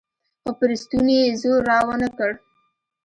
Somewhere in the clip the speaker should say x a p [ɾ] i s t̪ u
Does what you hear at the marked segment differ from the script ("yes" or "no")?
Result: no